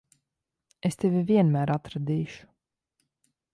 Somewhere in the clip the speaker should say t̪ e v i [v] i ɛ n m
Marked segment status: correct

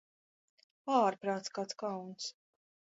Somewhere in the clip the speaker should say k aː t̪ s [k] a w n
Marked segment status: correct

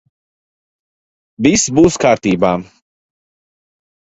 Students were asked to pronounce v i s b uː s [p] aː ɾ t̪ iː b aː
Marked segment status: incorrect: k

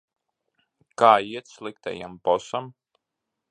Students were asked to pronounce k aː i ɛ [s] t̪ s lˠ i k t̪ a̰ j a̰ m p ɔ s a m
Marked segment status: incorrect: none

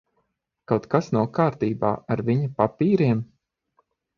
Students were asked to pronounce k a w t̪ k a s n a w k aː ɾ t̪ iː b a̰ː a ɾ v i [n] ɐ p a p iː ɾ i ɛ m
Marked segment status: incorrect: ɲ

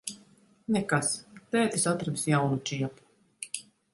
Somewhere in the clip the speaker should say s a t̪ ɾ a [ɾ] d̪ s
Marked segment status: incorrect: none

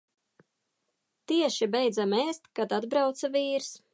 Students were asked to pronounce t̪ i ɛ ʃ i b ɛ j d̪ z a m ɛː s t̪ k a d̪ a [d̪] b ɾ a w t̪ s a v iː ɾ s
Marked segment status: correct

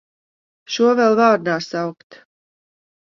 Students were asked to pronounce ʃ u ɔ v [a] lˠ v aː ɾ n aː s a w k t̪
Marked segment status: incorrect: ɛ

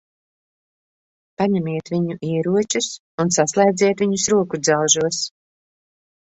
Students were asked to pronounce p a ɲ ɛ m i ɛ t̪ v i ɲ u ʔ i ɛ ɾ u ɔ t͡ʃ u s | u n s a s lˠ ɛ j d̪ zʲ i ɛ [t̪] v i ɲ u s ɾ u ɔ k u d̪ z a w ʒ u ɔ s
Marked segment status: correct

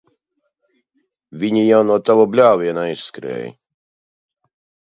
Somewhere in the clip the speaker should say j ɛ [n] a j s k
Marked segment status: correct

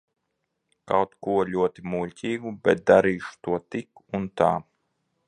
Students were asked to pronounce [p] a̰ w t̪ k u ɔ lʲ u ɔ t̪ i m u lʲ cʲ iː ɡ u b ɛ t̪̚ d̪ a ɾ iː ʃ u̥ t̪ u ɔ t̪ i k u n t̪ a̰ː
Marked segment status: incorrect: k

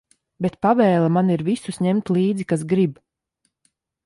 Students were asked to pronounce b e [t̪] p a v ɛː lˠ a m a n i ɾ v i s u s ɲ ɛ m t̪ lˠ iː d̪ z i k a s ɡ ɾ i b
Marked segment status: correct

